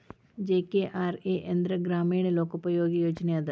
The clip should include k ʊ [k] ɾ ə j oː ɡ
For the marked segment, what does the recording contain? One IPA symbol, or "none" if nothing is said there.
p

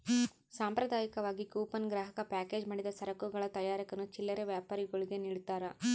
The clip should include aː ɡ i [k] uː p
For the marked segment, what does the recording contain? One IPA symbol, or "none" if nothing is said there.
k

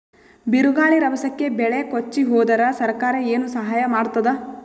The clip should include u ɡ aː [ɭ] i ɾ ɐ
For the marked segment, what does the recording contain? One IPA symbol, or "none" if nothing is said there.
ɭ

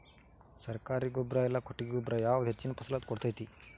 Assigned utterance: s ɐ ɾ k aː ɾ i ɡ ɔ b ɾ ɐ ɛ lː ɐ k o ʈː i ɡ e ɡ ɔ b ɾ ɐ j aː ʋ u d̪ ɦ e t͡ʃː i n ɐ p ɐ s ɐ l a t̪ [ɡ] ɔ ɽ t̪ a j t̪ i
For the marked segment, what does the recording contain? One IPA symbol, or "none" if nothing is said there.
k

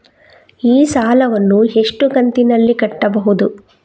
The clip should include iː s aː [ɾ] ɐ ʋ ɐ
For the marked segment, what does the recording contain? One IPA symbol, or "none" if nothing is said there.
l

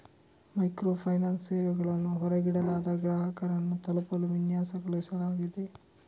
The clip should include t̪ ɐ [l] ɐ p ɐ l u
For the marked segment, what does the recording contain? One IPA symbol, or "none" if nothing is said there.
l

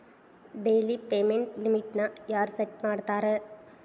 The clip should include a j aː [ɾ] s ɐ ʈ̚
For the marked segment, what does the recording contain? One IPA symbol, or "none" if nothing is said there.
ɾ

